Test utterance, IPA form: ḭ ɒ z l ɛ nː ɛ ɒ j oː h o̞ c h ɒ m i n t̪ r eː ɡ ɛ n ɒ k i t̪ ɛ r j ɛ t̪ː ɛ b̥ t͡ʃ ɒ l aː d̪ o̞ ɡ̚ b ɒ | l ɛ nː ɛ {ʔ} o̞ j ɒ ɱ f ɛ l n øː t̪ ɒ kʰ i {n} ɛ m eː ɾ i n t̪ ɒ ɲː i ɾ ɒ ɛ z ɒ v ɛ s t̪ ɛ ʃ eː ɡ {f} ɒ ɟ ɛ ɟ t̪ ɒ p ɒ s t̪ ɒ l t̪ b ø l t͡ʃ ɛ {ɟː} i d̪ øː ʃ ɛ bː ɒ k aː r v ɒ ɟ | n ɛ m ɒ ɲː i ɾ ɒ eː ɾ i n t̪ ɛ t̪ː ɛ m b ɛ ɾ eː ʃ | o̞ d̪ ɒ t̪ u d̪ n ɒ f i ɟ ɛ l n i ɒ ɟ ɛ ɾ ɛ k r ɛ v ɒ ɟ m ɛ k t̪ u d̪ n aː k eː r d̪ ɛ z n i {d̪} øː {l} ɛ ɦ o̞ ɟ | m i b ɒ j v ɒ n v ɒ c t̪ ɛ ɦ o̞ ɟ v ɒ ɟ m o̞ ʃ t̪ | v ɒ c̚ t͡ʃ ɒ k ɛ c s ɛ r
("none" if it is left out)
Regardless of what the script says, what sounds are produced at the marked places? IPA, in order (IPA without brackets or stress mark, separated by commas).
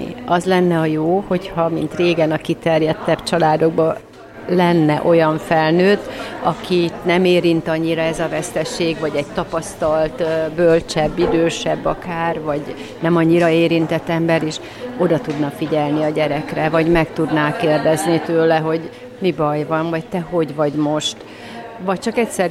ʔ, n, v, bː, t̪, l